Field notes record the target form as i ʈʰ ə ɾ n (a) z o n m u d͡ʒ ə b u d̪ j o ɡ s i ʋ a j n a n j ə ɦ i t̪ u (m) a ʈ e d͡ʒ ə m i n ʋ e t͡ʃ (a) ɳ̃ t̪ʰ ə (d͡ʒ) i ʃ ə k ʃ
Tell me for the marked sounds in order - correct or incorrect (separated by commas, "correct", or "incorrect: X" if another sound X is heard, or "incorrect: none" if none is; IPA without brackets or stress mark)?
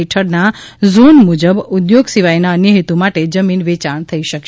correct, correct, correct, incorrect: none